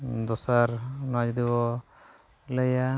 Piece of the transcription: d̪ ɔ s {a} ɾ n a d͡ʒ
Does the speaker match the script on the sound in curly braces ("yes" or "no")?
yes